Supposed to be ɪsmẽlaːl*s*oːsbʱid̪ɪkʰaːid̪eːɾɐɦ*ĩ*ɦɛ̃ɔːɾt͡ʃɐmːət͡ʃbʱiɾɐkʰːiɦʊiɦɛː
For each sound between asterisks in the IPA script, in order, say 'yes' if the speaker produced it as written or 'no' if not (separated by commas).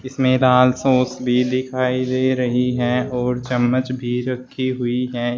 yes, no